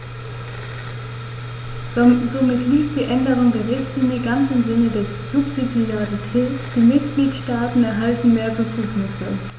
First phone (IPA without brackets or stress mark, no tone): z